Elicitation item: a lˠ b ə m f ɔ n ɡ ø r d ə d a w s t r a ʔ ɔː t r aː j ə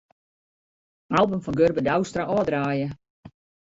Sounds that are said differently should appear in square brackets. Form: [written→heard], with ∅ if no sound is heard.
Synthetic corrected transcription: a lˠ b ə m f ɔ n ɡ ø r [d→b] ə d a w s t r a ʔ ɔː [t→d] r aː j ə